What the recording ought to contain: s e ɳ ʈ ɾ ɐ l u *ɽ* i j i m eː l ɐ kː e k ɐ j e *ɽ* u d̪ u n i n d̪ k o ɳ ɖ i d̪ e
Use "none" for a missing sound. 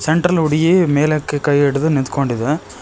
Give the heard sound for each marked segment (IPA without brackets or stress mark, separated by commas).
ɽ, ɽ